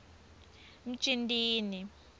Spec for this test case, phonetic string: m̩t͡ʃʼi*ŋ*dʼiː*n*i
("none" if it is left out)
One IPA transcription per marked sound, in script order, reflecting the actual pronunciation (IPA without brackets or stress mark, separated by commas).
n, n